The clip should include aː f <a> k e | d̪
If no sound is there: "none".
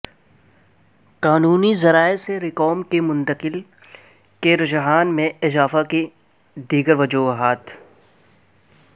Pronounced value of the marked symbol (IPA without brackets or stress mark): a